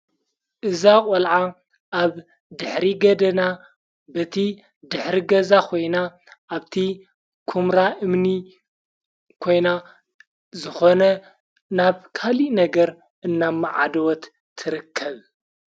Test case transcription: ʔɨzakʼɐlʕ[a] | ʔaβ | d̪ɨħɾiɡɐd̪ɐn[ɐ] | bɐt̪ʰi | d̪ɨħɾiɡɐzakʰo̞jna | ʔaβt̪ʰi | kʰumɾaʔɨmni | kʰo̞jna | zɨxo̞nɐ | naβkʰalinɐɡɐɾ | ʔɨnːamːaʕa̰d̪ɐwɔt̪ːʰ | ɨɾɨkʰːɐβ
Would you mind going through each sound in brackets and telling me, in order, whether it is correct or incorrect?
correct, incorrect: a

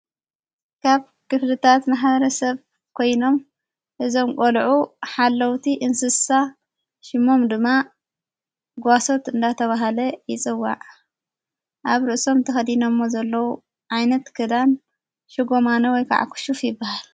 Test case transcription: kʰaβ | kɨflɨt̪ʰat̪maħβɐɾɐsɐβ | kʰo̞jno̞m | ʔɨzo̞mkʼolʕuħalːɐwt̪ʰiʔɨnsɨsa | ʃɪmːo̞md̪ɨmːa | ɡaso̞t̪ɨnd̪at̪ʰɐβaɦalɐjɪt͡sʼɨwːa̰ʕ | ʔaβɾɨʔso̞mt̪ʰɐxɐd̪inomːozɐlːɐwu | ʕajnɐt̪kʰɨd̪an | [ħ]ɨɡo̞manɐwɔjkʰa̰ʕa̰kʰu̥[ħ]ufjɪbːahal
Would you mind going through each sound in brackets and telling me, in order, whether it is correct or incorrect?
incorrect: ʃ, incorrect: ʃ

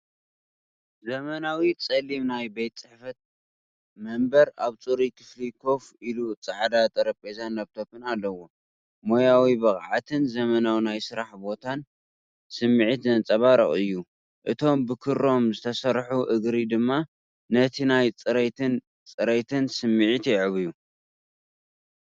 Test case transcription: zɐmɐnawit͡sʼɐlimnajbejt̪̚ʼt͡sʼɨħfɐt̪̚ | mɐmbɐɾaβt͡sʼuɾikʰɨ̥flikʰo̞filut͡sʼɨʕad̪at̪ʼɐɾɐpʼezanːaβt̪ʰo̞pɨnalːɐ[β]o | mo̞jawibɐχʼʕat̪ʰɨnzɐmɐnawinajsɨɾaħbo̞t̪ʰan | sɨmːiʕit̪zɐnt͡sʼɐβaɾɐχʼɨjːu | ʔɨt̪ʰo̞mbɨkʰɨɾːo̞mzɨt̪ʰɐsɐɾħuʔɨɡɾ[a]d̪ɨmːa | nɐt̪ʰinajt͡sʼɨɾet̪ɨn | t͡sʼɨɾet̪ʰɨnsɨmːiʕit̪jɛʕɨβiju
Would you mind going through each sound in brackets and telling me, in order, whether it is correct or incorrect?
incorrect: w, incorrect: i

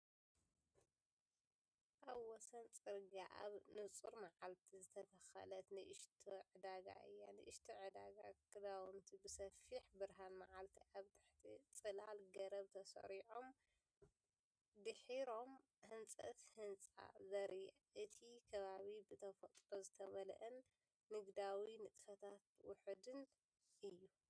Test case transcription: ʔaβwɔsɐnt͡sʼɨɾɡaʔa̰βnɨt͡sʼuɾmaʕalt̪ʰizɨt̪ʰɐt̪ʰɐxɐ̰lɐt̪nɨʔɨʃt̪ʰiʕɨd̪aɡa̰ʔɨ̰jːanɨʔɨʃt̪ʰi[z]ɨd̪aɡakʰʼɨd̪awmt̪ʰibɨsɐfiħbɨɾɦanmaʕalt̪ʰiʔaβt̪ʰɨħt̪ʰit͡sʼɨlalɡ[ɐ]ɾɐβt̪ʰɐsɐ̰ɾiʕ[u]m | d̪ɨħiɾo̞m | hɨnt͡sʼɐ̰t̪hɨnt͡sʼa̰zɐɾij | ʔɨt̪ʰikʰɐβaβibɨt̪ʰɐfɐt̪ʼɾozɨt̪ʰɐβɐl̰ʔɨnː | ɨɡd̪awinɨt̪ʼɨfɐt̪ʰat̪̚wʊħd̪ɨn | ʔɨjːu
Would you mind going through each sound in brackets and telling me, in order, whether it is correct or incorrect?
incorrect: ʕ, correct, incorrect: o

